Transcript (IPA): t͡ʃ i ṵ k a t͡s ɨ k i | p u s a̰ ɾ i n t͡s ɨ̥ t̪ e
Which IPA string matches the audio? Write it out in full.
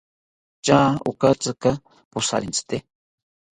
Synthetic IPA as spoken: t͡ʃ a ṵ k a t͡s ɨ k a | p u s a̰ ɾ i n t͡s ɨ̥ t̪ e